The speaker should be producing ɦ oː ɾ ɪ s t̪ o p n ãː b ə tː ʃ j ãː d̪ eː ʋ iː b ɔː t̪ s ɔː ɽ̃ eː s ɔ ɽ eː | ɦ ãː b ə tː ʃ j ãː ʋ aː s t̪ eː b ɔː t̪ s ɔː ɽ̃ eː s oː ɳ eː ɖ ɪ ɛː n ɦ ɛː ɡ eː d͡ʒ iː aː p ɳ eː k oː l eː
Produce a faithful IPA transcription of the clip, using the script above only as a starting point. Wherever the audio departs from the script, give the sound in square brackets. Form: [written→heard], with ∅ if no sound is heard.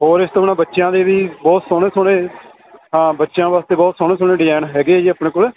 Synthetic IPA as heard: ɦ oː ɾ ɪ s t̪ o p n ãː b ə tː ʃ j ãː d̪ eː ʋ iː b ɔː t̪ s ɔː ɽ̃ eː s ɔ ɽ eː | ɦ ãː b ə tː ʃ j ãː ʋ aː s t̪ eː b ɔː t̪ s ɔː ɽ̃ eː s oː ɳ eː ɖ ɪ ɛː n ɦ ɛː ɡ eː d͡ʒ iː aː p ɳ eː k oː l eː